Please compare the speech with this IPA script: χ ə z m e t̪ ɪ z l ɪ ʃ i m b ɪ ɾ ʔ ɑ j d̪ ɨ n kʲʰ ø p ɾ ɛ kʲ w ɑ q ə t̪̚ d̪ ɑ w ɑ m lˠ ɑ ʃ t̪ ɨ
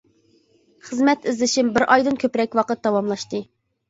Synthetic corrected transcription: χ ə z m ɛ t̪ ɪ z l ɪ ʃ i m b ɪ ɾ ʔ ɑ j d̪ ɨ n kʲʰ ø p ɾ ɛ kʲ w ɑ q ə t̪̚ d̪ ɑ w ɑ m lˠ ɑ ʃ t̪ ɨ